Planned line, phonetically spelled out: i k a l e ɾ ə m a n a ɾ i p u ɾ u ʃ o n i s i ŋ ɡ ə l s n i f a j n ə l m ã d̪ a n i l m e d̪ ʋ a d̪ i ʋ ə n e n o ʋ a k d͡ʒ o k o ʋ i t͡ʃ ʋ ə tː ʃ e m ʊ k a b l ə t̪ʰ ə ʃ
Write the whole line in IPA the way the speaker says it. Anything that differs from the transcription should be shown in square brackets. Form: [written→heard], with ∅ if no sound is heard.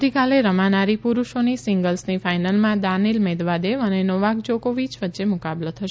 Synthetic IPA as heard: i k a l e ɾ ə m a n a ɾ i p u ɾ u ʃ o n i s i ŋ ɡ ə l s n i f a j n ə l m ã d̪ a n i l m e d̪ ʋ a d̪ [i→e] ʋ ə n e n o ʋ a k d͡ʒ o k o ʋ i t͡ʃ ʋ ə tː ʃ e m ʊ k a b l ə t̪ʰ ə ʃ